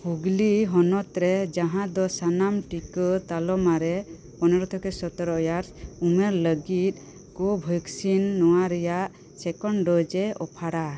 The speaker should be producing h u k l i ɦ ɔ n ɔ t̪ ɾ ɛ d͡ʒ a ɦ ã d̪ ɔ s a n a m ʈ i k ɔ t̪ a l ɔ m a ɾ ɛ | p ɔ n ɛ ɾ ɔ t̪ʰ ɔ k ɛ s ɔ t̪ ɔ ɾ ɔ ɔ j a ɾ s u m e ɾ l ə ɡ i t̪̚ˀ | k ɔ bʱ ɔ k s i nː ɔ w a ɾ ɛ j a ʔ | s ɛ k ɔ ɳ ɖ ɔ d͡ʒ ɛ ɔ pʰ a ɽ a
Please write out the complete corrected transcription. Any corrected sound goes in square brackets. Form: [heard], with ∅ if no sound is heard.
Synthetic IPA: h u [ɡ] l i ɦ ɔ n ɔ t̪ ɾ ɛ d͡ʒ a ɦ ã d̪ ɔ s a n a m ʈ i k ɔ t̪ a l ɔ m a ɾ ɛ | p ɔ n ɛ ɾ ɔ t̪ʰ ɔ k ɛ s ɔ t̪ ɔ ɾ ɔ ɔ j a ɾ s u m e ɾ l ə ɡ i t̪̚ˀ | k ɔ bʱ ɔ k s i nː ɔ w a ɾ ɛ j a ʔ | s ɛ k ɔ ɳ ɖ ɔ d͡ʒ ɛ ɔ pʰ a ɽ a